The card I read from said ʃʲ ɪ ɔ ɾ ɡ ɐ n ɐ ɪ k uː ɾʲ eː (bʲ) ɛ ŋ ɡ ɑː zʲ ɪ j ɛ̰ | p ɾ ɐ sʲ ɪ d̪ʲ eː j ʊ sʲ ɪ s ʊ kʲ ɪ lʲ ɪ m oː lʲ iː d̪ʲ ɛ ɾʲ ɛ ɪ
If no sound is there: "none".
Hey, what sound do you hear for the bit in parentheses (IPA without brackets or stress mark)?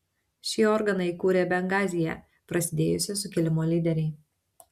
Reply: bʲ